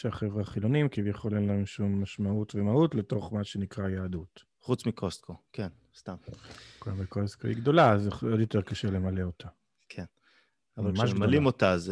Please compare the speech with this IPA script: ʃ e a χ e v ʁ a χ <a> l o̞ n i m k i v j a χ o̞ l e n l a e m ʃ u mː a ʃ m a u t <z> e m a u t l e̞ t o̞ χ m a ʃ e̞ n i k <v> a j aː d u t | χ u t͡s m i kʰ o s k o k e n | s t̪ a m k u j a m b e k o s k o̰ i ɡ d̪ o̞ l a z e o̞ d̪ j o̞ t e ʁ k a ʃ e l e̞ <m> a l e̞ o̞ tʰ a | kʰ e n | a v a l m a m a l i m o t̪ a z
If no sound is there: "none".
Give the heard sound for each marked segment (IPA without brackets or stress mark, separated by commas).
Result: i, v, ʁ, m